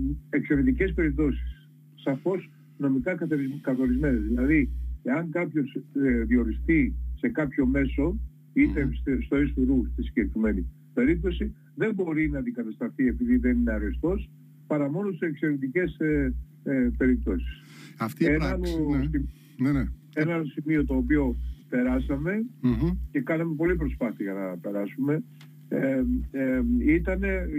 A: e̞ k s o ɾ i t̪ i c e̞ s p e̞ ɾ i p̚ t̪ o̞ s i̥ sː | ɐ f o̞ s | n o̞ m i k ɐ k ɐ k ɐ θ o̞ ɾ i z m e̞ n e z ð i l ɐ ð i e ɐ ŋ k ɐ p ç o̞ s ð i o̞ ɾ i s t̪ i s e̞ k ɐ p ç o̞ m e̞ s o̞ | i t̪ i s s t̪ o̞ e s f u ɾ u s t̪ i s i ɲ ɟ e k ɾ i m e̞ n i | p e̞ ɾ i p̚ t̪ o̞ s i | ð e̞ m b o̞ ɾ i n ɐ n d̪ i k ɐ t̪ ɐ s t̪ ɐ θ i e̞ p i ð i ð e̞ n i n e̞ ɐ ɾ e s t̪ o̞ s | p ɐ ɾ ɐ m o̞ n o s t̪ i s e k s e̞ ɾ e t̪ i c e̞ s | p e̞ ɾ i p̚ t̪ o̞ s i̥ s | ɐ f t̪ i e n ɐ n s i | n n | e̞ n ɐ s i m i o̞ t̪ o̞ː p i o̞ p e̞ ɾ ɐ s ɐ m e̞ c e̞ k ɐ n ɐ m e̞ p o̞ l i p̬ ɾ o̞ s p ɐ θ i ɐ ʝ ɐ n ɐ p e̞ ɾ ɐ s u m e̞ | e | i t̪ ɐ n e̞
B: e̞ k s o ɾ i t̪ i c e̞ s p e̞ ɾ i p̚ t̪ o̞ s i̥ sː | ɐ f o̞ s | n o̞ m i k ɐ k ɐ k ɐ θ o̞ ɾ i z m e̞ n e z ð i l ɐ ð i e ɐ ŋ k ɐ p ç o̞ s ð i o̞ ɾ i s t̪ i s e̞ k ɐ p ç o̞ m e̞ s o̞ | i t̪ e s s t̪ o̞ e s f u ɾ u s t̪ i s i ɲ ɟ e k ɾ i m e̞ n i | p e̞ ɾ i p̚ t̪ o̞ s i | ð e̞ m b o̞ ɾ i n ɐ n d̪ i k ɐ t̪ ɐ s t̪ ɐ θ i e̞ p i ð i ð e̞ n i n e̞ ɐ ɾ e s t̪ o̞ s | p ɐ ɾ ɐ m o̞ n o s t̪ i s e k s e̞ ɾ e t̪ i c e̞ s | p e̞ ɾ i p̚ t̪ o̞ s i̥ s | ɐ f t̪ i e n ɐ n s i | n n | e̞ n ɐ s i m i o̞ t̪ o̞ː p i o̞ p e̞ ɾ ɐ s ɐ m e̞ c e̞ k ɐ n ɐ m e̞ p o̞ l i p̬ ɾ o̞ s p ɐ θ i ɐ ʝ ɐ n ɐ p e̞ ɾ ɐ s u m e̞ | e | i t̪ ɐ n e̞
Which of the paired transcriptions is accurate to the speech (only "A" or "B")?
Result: B